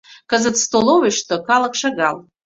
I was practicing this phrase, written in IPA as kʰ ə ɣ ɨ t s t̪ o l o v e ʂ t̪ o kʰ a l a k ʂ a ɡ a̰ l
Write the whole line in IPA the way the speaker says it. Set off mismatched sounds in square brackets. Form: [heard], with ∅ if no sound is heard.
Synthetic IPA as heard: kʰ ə [z] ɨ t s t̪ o l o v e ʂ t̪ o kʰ a l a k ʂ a ɡ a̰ l